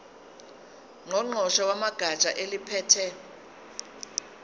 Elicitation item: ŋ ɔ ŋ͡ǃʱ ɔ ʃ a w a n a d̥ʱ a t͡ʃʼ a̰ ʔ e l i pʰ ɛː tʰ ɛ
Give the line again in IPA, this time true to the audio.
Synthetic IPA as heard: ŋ ɔ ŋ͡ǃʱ ɔ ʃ a w a m a ɡ̥ʱ a t͡ʃʼ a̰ ʔ e l i pʰ ɛː tʰ ɛ